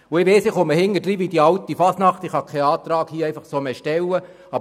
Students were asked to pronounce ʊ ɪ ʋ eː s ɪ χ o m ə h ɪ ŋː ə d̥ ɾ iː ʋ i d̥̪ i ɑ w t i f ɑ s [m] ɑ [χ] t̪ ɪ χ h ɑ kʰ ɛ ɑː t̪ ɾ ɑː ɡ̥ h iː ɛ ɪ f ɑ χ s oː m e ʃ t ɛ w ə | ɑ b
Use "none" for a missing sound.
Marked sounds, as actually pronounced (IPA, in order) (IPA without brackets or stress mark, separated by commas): n, χ